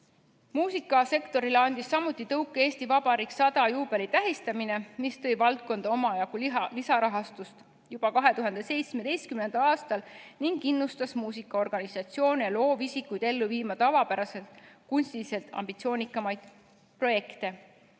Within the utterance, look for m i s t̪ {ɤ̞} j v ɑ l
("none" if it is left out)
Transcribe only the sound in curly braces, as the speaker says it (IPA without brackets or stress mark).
ɤ̞